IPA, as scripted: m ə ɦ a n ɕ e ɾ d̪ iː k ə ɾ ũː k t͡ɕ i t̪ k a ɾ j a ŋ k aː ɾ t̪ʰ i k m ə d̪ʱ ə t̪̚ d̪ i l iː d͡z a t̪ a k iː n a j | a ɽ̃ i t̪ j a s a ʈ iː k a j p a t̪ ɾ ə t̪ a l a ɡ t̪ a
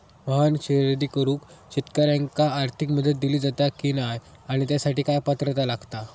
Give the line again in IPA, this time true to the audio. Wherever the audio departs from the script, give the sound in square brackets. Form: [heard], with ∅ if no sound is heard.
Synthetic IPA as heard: m ə ɦ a n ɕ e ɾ d̪ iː k ə ɾ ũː k t͡ɕ i t̪ k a ɾ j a ŋ k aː ɾ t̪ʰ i k m ə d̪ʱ ə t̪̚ d̪ i l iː d͡z a t̪ a k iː n a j | a ɽ̃ i t̪ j a s a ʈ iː k a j p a t̪ ɾ ə t̪ a l a ɡ t̪ a